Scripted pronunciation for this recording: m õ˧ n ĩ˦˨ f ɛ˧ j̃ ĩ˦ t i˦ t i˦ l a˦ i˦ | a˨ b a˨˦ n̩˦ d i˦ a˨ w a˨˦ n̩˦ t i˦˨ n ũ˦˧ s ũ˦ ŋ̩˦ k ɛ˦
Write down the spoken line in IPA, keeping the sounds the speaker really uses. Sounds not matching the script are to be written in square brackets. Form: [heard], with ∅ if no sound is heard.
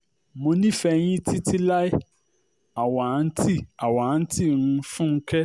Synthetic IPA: m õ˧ n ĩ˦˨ f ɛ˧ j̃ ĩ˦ t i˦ t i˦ l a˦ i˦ | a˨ [w] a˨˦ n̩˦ [t] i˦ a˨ w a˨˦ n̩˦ t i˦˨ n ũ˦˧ [f] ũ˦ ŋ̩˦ k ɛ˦